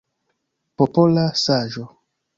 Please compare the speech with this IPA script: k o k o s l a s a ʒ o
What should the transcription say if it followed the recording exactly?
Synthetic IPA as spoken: p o p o l a s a ʒ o